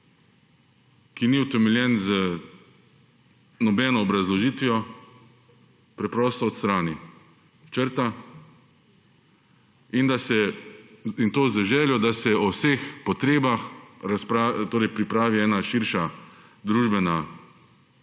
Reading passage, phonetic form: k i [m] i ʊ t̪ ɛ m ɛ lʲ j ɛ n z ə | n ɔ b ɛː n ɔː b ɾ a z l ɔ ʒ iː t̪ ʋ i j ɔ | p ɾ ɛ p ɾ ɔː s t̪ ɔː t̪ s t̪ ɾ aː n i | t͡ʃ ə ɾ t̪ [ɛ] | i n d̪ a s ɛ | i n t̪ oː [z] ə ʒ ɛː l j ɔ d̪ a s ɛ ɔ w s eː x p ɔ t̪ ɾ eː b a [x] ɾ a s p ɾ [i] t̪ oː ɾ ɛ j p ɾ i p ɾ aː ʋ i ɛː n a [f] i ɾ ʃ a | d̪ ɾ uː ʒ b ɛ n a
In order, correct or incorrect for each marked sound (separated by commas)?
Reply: incorrect, incorrect, correct, correct, incorrect, incorrect